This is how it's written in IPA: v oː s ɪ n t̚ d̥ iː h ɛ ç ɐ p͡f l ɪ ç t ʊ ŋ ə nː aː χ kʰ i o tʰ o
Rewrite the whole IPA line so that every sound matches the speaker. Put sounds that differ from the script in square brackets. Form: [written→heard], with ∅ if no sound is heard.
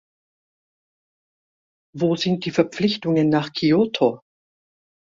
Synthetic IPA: v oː [s→z] ɪ n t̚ d̥ iː [h→f] ɛ [ç→∅] ɐ p͡f l ɪ ç t ʊ ŋ ə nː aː χ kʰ i o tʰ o

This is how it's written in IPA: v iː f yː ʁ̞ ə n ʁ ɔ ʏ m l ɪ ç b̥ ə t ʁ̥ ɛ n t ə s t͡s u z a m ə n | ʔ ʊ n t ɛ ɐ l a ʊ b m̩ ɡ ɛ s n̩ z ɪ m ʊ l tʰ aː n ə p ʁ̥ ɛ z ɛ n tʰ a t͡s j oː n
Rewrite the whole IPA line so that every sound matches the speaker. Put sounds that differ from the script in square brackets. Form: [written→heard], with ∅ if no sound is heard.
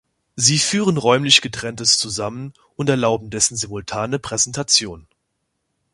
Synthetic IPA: [v→z] iː f yː ʁ̞ ə n ʁ ɔ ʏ m l ɪ ç [b̥→ɡ̥] ə t ʁ̥ ɛ n t ə s t͡s u z a m ə n | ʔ ʊ n t ɛ ɐ l a ʊ b m̩ [ɡ→d] ɛ s n̩ z ɪ m ʊ l tʰ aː n ə p ʁ̥ ɛ z ɛ n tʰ a t͡s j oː n

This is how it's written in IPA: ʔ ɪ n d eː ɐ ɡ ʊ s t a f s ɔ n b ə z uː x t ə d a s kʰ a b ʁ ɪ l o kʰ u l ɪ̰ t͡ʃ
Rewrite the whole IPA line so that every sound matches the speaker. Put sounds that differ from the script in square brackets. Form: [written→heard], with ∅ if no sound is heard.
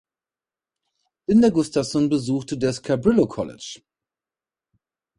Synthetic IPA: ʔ ɪ n d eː ɐ ɡ ʊ s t a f s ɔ n b ə z uː x t ə d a s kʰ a b ʁ ɪ l o kʰ [u→ɔ] l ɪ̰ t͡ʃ

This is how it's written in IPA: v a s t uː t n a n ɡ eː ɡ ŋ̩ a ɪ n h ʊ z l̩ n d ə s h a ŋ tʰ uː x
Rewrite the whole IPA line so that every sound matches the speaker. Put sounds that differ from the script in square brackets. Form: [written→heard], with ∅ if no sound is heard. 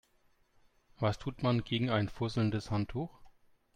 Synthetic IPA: v a s [t→tʰ] uː t [n→m] a n ɡ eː ɡ ŋ̩ a ɪ n [h→f] ʊ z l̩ n d ə s h a [ŋ→n] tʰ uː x

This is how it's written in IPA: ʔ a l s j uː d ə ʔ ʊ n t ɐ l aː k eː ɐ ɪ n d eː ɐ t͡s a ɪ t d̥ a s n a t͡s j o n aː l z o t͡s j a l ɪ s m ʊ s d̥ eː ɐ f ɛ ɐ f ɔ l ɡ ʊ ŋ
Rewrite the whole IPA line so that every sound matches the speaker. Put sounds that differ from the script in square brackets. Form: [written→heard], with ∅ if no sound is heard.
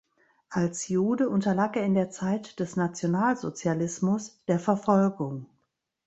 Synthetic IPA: ʔ a l s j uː d ə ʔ ʊ n t ɐ l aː k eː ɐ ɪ n d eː ɐ t͡s a ɪ t d̥ [a→ɛ] s n a t͡s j o n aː l z o t͡s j a l ɪ s m ʊ s d̥ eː ɐ f ɛ ɐ f ɔ l ɡ ʊ ŋ

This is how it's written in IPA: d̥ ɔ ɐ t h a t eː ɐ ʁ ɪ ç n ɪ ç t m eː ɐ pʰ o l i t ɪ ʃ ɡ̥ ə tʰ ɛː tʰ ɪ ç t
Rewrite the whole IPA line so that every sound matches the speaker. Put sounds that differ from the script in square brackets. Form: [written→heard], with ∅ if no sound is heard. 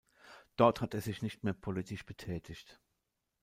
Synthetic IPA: d̥ ɔ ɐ t h a t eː ɐ [ʁ→z] ɪ ç n ɪ ç t m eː ɐ pʰ o l i t ɪ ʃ [ɡ̥→b̥] ə tʰ ɛː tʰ ɪ ç t

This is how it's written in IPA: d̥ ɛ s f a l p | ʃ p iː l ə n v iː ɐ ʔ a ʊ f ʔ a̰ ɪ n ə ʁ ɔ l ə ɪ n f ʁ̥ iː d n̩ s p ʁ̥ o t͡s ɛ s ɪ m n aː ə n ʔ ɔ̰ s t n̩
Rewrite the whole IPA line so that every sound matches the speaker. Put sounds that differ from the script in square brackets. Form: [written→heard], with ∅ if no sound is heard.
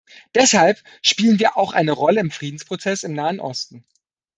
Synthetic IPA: d̥ ɛ s [f→h] a l p | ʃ p iː l ə n v iː ɐ ʔ a ʊ [f→x] ʔ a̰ ɪ n ə ʁ ɔ l ə ɪ [n→m] f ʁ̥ iː d n̩ s p ʁ̥ o t͡s ɛ s ɪ m n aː ə n ʔ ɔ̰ s t n̩

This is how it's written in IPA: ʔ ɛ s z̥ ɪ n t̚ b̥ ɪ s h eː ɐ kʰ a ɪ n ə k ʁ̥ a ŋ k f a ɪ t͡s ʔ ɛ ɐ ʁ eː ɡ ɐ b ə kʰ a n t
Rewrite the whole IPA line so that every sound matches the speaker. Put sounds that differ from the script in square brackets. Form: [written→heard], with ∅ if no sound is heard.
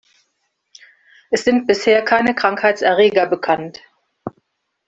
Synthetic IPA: ʔ ɛ s z̥ ɪ n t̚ b̥ ɪ s h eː ɐ kʰ a ɪ n ə k ʁ̥ a ŋ k [f→h] a ɪ t͡s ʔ ɛ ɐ ʁ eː ɡ ɐ b ə kʰ a n t

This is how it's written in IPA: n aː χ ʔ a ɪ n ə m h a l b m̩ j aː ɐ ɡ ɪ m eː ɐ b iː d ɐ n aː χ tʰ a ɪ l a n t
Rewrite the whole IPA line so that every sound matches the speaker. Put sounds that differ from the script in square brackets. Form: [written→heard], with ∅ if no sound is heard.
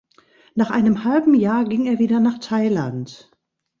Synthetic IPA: n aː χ ʔ a ɪ n ə m h a l b m̩ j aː ɐ ɡ ɪ [m→ŋ] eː ɐ [b→v] iː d ɐ n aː χ tʰ a ɪ l a n t

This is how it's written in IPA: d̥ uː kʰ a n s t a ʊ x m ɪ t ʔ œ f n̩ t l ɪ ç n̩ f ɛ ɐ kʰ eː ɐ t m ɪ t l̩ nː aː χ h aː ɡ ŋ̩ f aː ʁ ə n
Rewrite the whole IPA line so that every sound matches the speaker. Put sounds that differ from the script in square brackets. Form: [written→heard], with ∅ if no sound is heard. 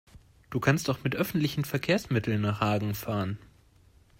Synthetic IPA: d̥ uː kʰ a n s t a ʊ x m ɪ t ʔ œ f n̩ t l ɪ ç n̩ f ɛ ɐ kʰ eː ɐ [t→s] m ɪ t l̩ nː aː χ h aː ɡ ŋ̩ f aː ʁ ə n

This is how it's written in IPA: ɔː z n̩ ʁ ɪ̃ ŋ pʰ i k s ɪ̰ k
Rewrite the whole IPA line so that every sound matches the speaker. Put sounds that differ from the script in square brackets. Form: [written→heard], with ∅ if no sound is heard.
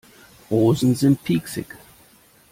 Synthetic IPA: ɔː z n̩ [ʁ→z] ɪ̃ [ŋ→n] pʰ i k s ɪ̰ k

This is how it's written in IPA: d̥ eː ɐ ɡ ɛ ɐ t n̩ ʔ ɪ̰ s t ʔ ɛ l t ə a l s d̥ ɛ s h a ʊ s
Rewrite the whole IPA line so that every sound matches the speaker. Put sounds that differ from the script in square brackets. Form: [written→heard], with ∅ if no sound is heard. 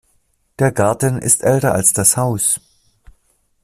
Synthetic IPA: d̥ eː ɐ ɡ [ɛ→a] ɐ t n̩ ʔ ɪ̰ s t ʔ ɛ l t [ə→ɐ] a l s d̥ [ɛ→a] s h a ʊ s

